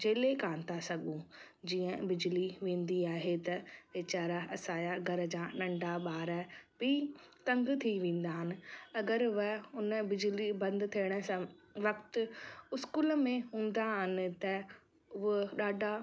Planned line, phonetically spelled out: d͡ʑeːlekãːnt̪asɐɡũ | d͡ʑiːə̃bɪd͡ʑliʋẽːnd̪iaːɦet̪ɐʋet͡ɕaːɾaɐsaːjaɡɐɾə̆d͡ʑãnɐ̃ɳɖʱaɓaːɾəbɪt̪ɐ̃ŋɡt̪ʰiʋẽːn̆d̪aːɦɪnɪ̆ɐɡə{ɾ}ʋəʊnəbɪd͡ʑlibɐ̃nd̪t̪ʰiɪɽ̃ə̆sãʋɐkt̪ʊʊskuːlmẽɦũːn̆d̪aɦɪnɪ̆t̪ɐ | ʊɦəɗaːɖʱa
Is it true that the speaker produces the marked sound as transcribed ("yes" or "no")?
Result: yes